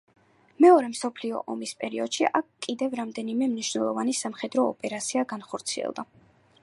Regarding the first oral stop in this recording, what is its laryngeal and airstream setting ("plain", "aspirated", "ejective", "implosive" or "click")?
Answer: aspirated